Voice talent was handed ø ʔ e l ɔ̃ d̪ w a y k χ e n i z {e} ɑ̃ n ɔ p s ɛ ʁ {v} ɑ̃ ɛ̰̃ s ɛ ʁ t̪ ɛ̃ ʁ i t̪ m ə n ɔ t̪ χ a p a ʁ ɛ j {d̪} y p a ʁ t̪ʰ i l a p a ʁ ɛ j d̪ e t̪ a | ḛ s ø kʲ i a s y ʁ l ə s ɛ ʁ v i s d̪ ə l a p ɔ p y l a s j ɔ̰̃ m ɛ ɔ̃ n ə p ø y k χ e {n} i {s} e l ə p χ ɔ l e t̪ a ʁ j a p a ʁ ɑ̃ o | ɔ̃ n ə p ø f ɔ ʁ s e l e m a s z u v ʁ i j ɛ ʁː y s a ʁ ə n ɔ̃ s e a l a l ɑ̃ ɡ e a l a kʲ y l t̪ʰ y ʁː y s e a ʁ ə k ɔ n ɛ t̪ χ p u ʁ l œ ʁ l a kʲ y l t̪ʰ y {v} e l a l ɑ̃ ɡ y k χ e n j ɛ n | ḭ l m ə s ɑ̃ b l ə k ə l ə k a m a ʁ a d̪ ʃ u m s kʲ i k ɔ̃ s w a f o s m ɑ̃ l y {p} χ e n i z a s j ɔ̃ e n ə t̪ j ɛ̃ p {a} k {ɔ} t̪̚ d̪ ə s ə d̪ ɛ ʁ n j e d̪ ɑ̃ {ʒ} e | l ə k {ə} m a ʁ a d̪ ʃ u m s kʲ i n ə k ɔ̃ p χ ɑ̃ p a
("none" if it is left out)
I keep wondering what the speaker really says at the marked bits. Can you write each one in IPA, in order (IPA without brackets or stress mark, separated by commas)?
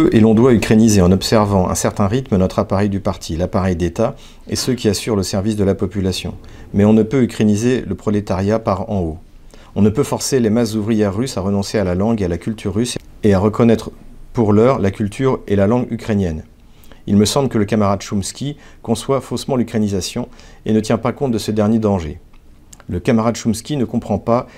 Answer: e, v, d̪, n, z, ʁ, k, a, ɔ̃, ʒ, a